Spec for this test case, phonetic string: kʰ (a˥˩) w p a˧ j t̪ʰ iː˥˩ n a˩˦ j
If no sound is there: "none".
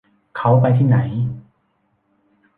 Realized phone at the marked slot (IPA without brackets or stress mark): a˦˥